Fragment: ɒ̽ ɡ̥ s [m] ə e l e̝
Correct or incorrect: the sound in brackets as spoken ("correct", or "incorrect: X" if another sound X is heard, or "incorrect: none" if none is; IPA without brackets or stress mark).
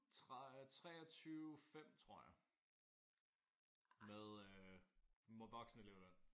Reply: incorrect: n